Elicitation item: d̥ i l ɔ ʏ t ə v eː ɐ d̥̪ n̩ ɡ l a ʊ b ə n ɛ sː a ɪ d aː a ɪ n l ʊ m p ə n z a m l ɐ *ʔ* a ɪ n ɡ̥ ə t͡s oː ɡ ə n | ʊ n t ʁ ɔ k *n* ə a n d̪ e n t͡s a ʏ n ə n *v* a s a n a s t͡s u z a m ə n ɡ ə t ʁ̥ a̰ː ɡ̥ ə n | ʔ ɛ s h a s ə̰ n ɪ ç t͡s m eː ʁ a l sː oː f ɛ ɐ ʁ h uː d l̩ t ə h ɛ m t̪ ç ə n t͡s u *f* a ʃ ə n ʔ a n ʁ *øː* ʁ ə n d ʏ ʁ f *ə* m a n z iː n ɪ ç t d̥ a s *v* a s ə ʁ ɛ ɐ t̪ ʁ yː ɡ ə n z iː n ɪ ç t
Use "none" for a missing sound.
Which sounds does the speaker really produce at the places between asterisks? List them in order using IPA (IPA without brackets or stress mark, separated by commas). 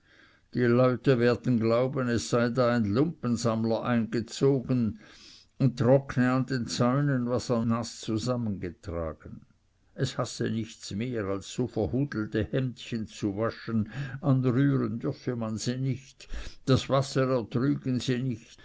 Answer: ʔ, n, v, v, yː, ə, v